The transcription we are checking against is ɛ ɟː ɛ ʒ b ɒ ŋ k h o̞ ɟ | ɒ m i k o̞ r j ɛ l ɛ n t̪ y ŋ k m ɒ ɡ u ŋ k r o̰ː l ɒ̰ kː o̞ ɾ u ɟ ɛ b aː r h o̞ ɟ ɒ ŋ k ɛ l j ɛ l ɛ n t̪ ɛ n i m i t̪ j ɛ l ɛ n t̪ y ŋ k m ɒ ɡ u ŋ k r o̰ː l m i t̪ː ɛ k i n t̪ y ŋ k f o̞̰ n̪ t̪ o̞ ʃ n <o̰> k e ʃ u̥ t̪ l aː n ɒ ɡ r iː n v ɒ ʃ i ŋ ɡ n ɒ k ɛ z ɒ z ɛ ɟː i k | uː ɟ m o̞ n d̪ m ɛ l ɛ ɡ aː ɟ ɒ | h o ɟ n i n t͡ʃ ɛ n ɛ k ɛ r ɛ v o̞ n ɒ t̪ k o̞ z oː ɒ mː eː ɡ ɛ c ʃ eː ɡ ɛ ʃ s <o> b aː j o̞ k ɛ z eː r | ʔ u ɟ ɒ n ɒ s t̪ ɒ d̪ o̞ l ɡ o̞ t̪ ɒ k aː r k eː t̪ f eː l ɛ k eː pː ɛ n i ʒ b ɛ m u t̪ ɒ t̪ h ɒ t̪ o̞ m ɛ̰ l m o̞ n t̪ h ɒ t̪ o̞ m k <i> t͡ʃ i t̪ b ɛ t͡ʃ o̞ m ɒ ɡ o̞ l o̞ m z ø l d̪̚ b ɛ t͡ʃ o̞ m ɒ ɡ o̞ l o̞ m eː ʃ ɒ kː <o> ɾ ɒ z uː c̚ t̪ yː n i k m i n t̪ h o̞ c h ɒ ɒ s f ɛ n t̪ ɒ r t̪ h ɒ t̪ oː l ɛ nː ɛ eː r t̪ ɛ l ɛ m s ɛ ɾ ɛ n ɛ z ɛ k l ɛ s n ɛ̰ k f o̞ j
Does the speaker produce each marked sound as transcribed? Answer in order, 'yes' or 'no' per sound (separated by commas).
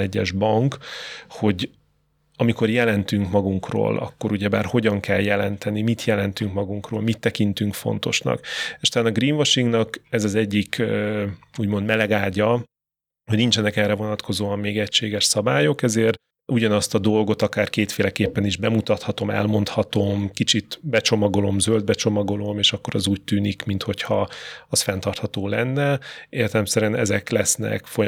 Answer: no, no, yes, yes